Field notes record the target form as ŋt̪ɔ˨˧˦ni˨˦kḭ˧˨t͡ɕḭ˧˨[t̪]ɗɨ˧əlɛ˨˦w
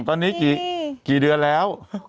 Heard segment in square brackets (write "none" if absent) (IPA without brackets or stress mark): none